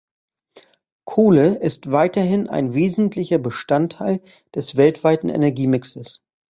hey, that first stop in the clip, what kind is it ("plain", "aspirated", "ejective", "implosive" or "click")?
aspirated